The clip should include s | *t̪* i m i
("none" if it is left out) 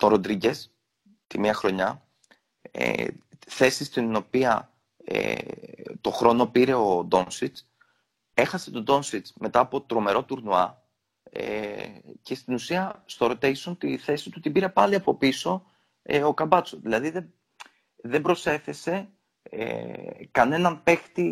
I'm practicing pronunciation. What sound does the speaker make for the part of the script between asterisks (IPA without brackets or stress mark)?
t̪